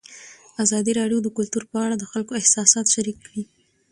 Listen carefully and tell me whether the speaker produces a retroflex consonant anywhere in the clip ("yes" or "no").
yes